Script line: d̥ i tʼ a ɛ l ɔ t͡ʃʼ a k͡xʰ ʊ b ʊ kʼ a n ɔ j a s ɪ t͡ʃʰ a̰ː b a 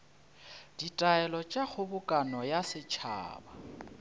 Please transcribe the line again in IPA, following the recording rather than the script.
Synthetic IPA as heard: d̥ i tʼ a ɛ l ɔ t͡ʃʼ a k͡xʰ ʊ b ʊ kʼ a n ɔ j a s ɪ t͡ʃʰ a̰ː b a